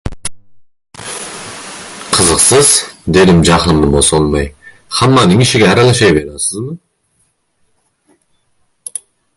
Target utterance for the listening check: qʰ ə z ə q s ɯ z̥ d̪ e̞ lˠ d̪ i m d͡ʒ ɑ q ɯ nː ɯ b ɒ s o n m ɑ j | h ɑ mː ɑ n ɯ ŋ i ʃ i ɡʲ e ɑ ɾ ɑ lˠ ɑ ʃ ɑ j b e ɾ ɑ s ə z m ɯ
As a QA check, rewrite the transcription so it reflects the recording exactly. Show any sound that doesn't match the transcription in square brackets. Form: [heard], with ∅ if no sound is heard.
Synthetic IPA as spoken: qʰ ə z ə q s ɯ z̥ d̪ e̞ [∅] d̪ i m d͡ʒ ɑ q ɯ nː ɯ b [o] s o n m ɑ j | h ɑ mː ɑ n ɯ ŋ i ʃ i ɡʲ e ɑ ɾ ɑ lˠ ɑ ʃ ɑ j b e ɾ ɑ s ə z m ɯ